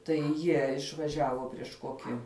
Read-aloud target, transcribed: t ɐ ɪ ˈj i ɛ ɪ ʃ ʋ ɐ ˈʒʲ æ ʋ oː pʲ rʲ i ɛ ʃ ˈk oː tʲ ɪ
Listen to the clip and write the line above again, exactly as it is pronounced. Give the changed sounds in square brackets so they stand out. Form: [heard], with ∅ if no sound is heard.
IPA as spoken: t ɐ ɪ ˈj i ɛ ɪ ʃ ʋ ɐ ˈʒʲ [æː] ʋ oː pʲ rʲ i ɛ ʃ ˈk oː [kʲ] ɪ